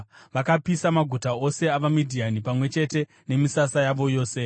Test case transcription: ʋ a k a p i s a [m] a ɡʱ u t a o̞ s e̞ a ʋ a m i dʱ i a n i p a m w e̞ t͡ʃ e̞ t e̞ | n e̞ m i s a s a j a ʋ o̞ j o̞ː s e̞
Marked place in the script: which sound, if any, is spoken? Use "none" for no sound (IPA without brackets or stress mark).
m